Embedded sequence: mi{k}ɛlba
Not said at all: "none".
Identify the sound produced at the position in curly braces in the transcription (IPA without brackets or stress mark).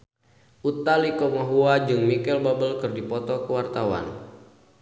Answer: k